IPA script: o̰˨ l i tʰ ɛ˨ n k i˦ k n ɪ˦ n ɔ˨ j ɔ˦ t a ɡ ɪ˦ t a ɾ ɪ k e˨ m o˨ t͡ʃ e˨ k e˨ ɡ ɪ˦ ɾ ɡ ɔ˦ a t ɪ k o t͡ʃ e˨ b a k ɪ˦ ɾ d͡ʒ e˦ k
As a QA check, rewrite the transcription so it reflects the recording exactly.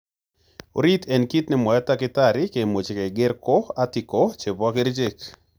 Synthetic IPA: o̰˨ ɾ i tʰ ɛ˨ n k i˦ t n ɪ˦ m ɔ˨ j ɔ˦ t a k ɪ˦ t a ɾ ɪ k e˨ m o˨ t͡ʃ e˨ k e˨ ɡ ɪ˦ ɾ k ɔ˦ a t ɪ k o t͡ʃ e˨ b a k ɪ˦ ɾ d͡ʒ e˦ k